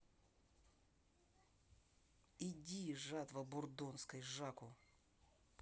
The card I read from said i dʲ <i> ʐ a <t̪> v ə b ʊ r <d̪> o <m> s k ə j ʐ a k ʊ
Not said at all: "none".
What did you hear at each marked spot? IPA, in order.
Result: i, t̪, d̪, n

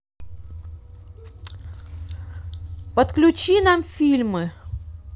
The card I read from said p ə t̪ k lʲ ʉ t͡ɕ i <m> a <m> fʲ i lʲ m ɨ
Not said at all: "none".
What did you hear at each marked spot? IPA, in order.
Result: n, m

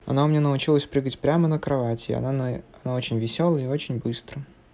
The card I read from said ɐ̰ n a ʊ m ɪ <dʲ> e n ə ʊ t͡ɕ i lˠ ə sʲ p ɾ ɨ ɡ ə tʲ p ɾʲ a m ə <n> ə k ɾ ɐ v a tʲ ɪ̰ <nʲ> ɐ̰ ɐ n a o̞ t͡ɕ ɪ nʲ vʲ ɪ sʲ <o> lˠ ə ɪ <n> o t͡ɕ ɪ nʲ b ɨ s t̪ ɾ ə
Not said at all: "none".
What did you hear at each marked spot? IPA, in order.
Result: nʲ, n, none, o, none

